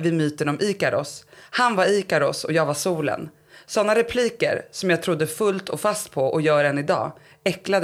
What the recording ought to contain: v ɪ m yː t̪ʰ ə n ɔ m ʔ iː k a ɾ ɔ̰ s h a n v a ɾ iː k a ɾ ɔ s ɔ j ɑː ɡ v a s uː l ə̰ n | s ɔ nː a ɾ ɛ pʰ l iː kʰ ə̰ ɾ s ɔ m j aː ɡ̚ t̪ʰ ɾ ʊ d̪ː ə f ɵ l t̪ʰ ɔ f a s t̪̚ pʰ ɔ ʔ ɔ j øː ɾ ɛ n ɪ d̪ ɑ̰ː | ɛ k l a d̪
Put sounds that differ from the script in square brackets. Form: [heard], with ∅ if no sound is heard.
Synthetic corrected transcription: v ɪ m yː [t̪] ə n ɔ m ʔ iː k a ɾ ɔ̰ s h a n v a ɾ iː k a ɾ ɔ s ɔ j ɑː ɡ v a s uː l ə̰ n | s ɔ nː a ɾ ɛ pʰ l iː [k] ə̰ ɾ s ɔ m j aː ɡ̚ t̪ʰ ɾ ʊ d̪ː ə f ɵ l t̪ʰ ɔ f a s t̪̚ pʰ ɔ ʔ ɔ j [œː] ɾ ɛ n ɪ d̪ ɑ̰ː | ɛ k l a d̪